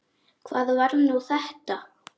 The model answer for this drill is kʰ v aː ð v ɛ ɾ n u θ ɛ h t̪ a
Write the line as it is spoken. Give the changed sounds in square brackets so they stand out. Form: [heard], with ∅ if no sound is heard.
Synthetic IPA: kʰ v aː ð v [a] ɾ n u θ ɛ h t̪ a

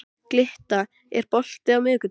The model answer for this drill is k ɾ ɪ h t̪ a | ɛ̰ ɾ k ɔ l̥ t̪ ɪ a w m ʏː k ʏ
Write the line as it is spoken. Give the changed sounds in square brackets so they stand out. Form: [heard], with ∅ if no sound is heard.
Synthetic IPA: k [l] ɪ h t̪ a | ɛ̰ ɾ [p] ɔ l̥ t̪ ɪ a w m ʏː k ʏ

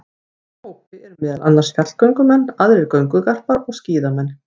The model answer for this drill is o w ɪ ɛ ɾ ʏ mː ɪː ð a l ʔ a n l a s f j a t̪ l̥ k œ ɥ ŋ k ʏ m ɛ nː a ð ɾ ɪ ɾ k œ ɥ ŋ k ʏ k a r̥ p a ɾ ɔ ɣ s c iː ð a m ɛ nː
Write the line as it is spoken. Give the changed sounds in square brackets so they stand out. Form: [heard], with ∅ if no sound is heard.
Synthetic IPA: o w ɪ ɛ ɾ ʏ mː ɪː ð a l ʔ a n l a s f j a t̪ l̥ k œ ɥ ŋ k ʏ m ɛ nː a ð ɾ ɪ ɾ k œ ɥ ŋ k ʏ k a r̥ p a ɾ ɔ ɣ s c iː ð a m ɛ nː

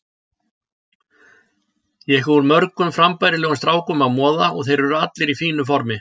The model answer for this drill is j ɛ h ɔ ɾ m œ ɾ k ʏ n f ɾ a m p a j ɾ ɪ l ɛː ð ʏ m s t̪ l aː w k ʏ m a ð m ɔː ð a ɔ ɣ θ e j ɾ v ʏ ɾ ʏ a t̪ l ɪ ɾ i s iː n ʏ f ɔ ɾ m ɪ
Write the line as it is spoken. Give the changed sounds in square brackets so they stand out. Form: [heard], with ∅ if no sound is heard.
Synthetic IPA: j ɛ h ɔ ɾ m œ ɾ k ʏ [m] f ɾ a m p a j ɾ ɪ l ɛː [ɣ] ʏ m s t̪ [ɾ] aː w k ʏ m a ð m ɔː ð a ɔ ɣ θ e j ɾ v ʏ ɾ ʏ a t̪ l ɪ ɾ i [f] iː n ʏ f ɔ ɾ m ɪ

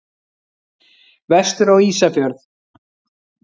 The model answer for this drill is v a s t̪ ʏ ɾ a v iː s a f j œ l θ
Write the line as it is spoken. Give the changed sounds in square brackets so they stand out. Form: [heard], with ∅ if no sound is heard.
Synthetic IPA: v [ɛ] s t̪ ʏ ɾ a [w] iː s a f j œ [ɾ] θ

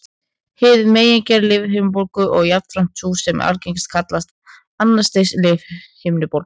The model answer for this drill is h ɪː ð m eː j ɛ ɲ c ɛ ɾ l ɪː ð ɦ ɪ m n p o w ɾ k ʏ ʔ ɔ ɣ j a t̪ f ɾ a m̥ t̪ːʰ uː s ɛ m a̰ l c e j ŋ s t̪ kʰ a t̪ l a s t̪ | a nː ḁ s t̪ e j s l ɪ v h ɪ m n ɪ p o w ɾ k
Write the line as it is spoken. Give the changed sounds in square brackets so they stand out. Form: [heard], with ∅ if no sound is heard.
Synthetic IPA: h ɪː ð m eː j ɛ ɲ c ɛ ɾ l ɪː [v] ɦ ɪ m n p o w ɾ k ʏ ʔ ɔ ɣ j a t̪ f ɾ a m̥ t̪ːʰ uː s ɛ m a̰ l c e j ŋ s t̪ kʰ a t̪ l a s t̪ | a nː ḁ s t̪ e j s l ɪ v h ɪ m n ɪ p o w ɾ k

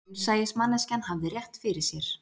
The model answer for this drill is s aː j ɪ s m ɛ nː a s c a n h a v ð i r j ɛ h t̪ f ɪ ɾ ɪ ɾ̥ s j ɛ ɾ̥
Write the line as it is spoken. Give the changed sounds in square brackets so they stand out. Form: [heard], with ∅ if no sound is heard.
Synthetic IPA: s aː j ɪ s m [a] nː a s c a n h a v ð [ɪ] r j ɛ h t̪ f ɪ ɾ ɪ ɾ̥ s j ɛ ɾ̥

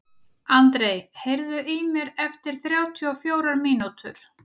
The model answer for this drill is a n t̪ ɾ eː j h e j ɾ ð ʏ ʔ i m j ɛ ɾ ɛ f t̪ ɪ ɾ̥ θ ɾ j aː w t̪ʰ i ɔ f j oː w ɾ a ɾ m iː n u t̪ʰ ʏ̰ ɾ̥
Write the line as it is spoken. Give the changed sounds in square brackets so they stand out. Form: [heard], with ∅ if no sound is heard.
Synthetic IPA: a n t̪ ɾ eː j h e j ɾ ð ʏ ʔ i m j ɛ ɾ ɛ f t̪ ɪ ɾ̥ θ ɾ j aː w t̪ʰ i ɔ f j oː w ɾ a ɾ m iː n u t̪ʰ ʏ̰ ɾ̥

